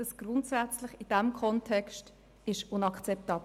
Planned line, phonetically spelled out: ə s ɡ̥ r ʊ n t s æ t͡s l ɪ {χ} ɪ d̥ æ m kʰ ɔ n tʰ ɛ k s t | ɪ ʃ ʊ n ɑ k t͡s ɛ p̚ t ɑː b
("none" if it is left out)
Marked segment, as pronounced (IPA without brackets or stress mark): χ